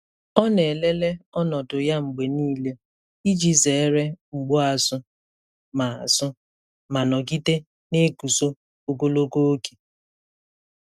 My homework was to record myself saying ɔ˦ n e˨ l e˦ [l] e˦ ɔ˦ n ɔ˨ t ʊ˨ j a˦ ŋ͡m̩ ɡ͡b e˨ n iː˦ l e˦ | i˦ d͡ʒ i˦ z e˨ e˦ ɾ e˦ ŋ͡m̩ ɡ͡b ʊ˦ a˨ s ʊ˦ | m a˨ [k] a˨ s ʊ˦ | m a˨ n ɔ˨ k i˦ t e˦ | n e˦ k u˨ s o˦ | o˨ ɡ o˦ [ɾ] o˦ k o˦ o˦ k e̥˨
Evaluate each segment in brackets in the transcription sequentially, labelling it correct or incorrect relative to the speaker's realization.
correct, incorrect, incorrect

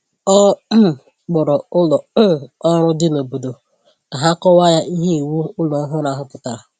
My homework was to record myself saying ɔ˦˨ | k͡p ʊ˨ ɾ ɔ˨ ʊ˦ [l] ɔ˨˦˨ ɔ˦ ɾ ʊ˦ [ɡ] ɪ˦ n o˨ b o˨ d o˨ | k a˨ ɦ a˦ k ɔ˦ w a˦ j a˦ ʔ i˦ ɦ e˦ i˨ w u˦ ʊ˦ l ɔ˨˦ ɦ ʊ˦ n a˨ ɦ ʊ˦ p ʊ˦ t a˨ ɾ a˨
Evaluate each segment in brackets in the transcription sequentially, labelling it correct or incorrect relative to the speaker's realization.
correct, incorrect

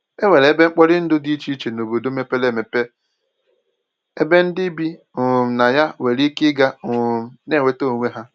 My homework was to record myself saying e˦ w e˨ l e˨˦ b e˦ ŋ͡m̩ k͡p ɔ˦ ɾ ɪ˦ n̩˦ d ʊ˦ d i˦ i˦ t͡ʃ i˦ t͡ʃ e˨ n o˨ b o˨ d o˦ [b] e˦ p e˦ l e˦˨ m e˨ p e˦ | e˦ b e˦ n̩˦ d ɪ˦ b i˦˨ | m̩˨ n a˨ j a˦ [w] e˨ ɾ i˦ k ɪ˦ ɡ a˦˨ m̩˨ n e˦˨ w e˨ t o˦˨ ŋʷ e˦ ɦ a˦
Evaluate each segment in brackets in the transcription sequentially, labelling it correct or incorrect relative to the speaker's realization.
incorrect, correct

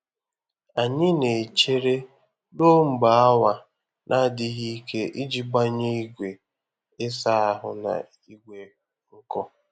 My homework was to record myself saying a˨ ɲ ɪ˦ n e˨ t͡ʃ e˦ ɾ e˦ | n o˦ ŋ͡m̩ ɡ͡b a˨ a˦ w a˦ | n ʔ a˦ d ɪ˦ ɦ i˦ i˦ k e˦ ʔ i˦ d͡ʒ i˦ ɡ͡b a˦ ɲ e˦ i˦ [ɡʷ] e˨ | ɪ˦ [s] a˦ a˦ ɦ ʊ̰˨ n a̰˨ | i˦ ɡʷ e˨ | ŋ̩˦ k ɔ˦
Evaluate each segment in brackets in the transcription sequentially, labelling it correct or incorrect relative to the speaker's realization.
correct, correct

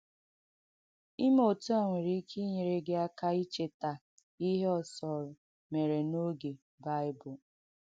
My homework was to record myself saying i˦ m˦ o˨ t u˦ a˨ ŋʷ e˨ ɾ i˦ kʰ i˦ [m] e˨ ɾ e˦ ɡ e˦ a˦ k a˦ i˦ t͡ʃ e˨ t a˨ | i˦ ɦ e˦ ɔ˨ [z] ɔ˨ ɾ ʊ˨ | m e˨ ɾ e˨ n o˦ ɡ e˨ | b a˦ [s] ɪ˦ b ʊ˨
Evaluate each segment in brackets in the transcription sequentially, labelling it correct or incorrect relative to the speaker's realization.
incorrect, incorrect, incorrect

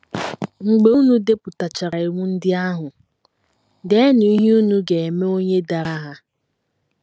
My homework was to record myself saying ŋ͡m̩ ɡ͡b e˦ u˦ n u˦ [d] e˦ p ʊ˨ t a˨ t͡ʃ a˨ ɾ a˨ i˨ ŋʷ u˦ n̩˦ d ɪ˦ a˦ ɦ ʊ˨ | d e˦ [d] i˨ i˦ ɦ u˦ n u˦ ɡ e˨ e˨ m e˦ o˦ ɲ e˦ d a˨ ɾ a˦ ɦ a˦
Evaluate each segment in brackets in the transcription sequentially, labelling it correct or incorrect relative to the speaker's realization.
correct, incorrect

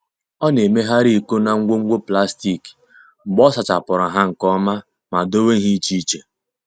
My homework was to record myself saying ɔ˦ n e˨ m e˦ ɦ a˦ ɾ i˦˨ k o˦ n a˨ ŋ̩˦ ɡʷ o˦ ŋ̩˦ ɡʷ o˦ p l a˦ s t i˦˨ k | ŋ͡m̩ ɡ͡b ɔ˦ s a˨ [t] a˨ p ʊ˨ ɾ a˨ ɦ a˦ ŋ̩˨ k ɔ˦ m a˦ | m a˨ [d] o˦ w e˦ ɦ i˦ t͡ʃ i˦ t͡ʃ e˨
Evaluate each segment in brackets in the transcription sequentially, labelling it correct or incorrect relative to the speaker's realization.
incorrect, correct

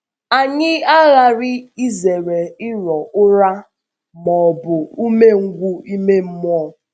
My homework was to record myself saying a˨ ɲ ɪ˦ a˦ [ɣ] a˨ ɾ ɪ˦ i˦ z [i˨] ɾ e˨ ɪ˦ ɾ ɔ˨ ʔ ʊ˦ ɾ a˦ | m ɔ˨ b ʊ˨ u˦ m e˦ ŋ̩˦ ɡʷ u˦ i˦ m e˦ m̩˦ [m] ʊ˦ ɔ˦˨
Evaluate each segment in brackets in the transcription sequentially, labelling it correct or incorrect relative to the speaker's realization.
correct, incorrect, correct

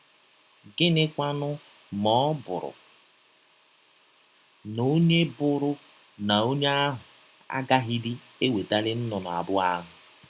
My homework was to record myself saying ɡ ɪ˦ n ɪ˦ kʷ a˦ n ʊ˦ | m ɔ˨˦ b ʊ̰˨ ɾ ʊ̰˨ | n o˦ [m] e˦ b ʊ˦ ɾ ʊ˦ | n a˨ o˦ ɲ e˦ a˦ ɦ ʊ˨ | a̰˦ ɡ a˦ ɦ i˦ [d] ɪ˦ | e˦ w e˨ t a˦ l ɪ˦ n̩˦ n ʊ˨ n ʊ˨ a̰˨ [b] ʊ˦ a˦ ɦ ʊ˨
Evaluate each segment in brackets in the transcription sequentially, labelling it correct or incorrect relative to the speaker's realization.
incorrect, correct, correct

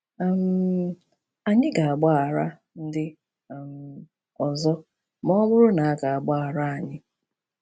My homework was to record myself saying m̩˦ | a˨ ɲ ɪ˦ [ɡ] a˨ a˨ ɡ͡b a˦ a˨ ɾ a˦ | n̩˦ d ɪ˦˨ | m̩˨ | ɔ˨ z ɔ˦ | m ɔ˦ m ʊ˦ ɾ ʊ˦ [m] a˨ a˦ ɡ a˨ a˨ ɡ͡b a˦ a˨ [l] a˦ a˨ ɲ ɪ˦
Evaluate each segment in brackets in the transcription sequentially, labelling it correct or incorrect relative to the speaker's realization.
correct, incorrect, incorrect

